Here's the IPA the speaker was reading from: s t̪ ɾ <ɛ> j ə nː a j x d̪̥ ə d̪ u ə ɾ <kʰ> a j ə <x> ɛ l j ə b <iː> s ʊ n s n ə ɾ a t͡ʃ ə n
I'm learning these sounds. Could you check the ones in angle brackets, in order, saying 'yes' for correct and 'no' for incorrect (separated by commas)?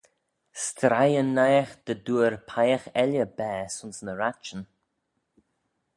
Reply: no, no, yes, no